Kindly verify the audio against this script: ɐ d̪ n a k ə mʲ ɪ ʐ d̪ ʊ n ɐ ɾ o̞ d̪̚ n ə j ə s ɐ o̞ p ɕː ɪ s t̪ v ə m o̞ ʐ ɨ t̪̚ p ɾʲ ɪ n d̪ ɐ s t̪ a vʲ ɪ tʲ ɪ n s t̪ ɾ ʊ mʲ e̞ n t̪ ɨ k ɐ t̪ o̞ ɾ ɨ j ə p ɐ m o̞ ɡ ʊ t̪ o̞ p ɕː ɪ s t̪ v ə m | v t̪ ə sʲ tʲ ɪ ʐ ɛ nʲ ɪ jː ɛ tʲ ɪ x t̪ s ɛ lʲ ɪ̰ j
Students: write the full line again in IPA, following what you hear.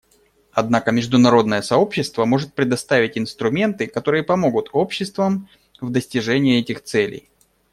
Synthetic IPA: ɐ d̪ n a k ə mʲ ɪ ʐ d̪ ʊ n ɐ ɾ o̞ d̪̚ n ə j ə s ɐ o̞ p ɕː ɪ s t̪ v ə m o̞ ʐ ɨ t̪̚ p ɾʲ ɪ d̪ ɐ s t̪ a vʲ ɪ tʲ ɪ n s t̪ ɾ ʊ mʲ e̞ n t̪ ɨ k ɐ t̪ o̞ ɾ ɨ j ə p ɐ m o̞ ɡ ʊ t̪ o̞ p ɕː ɪ s t̪ v ə m | v d̪ ə sʲ tʲ ɪ ʐ ɛ nʲ ɪ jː ɛ tʲ ɪ x t̪ s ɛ lʲ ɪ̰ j